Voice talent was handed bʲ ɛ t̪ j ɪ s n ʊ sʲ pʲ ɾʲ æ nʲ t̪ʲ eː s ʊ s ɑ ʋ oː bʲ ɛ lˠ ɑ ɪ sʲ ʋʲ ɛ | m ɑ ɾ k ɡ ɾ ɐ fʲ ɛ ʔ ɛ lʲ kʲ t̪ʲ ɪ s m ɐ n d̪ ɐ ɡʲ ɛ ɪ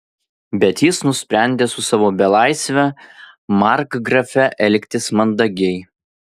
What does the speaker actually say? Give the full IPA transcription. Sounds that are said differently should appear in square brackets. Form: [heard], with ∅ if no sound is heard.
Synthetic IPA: bʲ ɛ t̪ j ɪ s n ʊ sʲ pʲ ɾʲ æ nʲ [d̪ʲ] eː s ʊ s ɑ ʋ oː bʲ ɛ lˠ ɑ ɪ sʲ ʋʲ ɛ | m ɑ ɾ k ɡ ɾ ɐ fʲ ɛ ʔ ɛ lʲ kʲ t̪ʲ ɪ s m ɐ n d̪ ɐ ɡʲ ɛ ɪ

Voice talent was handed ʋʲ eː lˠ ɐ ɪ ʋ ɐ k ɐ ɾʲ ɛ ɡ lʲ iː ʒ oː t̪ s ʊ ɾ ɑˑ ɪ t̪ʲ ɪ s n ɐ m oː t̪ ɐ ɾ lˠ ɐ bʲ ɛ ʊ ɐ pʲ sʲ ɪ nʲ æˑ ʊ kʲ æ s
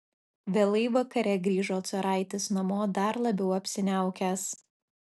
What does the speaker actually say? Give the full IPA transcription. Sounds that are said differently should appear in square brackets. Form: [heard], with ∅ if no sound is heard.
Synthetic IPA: ʋʲ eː lˠ ɐ ɪ ʋ ɐ k ɐ ɾʲ ɛ ɡ [ɾʲ] iː ʒ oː t̪ s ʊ ɾ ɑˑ ɪ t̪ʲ ɪ s n ɐ m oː [d̪] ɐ ɾ lˠ ɐ bʲ ɛ ʊ ɐ pʲ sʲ ɪ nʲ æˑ ʊ kʲ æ s

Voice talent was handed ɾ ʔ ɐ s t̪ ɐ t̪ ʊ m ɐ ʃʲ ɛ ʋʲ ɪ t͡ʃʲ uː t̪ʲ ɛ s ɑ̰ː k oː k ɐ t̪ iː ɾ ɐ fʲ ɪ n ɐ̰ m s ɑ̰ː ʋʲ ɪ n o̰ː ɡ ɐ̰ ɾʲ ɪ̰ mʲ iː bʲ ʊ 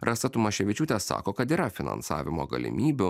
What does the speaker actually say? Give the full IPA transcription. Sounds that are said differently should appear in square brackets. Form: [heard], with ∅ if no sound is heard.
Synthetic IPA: ɾ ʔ ɐ s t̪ ɐ t̪ ʊ m ɐ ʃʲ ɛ ʋʲ ɪ t͡ʃʲ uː t̪ʲ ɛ s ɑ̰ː k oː k ɐ t̪ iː ɾ ɐ fʲ ɪ n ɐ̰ [n] s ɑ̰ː ʋʲ ɪ [m] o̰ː ɡ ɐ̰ [lʲ] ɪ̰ mʲ iː bʲ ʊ

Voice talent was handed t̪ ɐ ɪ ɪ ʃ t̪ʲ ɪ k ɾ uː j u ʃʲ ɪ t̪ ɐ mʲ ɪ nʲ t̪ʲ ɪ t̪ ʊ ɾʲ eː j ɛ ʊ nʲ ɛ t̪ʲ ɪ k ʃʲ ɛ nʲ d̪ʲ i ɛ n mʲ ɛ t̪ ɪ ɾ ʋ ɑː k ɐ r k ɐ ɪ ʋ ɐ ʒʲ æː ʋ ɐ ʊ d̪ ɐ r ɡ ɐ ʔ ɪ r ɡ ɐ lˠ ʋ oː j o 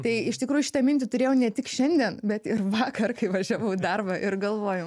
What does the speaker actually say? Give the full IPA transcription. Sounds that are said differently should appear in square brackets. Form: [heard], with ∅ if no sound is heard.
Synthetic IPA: t̪ ɐ ɪ ɪ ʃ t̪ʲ ɪ k ɾ uː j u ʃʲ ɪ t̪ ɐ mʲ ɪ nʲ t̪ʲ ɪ t̪ ʊ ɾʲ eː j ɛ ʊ nʲ ɛ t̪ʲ ɪ k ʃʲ ɛ nʲ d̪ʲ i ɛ n [bʲ] ɛ t̪ ɪ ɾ ʋ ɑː k ɐ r k ɐ ɪ ʋ ɐ ʒʲ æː ʋ ɐ ʊ d̪ ɐ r [b] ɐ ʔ ɪ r ɡ ɐ lˠ ʋ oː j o

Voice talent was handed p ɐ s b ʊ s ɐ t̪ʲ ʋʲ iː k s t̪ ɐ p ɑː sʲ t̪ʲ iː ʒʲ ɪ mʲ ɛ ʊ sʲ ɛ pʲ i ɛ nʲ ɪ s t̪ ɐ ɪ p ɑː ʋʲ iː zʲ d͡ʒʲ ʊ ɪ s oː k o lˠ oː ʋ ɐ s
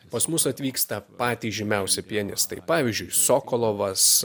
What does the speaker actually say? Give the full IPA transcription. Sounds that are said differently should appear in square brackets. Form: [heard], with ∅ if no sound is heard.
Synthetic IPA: p ɐ s [m] ʊ s ɐ t̪ʲ ʋʲ iː k s t̪ ɐ p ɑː [∅] t̪ʲ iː ʒʲ ɪ mʲ ɛ ʊ sʲ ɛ pʲ i ɛ nʲ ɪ s t̪ ɐ ɪ p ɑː ʋʲ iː zʲ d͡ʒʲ ʊ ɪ s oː k o lˠ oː ʋ ɐ s

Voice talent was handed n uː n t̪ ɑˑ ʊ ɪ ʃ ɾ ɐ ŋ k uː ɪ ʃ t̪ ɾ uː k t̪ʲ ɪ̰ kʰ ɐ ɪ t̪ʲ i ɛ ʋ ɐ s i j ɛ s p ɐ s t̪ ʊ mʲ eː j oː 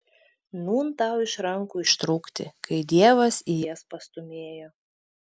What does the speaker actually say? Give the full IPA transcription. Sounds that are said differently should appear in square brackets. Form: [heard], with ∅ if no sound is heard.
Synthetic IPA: n uː n t̪ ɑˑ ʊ ɪ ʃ ɾ ɐ ŋ k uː ɪ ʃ t̪ ɾ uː k t̪ʲ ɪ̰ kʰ ɐ ɪ [d̪ʲ] i ɛ ʋ ɐ s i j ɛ s p ɐ s t̪ ʊ mʲ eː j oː

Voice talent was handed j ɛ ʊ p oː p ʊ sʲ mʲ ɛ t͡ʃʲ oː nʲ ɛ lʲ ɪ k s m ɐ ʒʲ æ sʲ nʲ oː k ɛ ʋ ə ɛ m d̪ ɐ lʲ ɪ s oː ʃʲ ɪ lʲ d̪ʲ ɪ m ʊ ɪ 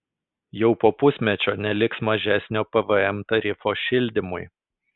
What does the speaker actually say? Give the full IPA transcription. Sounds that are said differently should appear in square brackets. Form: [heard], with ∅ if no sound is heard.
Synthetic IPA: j ɛ ʊ p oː p ʊ sʲ mʲ ɛ t͡ʃʲ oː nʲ ɛ lʲ ɪ k s m ɐ ʒʲ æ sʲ nʲ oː [p] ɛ ʋ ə ɛ m [t̪] ɐ [ɾʲ] ɪ [f] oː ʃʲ ɪ lʲ d̪ʲ ɪ m ʊ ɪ

